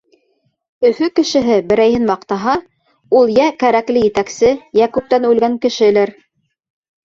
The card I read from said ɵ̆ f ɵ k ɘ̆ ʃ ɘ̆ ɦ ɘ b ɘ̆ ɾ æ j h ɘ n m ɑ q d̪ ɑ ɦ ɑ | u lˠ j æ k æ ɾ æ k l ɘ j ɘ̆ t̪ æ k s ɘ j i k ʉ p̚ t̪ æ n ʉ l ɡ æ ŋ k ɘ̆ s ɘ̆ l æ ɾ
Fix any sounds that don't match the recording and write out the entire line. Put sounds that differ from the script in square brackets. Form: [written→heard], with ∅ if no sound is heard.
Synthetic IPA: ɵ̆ f ɵ k ɘ̆ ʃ ɘ̆ ɦ ɘ b ɘ̆ ɾ æ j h ɘ n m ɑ q [d̪→t̪] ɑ ɦ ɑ | u lˠ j æ k æ ɾ æ k l ɘ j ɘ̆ t̪ æ k s ɘ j [i→æ] k ʉ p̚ t̪ æ n ʉ l ɡ æ ŋ k ɘ̆ [s→ʃ] ɘ̆ l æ ɾ